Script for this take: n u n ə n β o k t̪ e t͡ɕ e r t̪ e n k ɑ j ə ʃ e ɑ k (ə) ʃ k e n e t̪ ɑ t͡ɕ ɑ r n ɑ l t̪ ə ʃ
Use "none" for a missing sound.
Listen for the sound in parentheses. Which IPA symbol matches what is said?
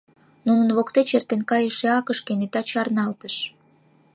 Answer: ə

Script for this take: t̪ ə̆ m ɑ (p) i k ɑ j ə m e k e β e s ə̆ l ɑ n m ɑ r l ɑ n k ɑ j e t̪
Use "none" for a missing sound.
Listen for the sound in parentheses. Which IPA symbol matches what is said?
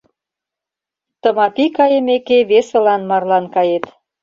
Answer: p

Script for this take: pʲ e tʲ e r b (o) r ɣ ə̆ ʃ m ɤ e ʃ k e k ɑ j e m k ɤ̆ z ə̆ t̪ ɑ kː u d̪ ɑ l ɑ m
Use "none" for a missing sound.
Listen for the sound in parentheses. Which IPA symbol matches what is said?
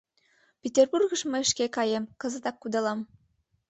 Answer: u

